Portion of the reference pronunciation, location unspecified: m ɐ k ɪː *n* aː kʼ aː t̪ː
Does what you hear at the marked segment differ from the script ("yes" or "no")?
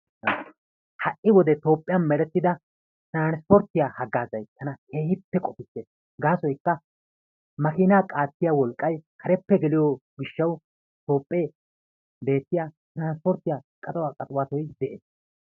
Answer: no